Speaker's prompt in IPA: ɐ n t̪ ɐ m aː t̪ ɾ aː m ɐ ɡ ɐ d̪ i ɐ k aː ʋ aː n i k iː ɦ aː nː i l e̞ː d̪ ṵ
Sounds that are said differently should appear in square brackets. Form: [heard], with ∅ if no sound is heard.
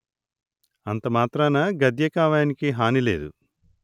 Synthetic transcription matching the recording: ɐ n t̪ ɐ m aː t̪ ɾ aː [n] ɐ ɡ ɐ d̪ [j] ɐ k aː ʋ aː n i k [i] ɦ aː [n] i l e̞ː d̪ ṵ